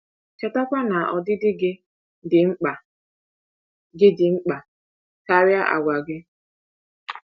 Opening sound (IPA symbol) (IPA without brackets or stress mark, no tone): t͡ʃ